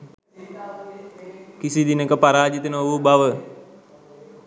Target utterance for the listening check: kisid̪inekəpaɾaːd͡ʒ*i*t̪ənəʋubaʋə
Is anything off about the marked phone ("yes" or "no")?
no